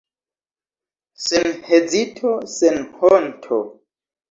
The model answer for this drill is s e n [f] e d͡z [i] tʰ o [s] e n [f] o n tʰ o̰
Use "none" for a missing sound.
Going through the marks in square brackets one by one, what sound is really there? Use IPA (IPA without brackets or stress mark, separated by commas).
h, i, s, h